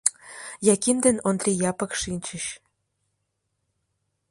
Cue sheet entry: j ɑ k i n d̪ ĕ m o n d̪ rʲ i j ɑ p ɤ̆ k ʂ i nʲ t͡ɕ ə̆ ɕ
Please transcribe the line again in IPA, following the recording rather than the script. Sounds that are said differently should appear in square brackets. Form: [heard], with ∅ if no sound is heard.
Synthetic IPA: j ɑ k i [m] d̪ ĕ [n] o n d̪ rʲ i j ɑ p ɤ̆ k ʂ i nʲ t͡ɕ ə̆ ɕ